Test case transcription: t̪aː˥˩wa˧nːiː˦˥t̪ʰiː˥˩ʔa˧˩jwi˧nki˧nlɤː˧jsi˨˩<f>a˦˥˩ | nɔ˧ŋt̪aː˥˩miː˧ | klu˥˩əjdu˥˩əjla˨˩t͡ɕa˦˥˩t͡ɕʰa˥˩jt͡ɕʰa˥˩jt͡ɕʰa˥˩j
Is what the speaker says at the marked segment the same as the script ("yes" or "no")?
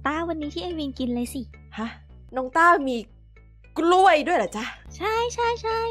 no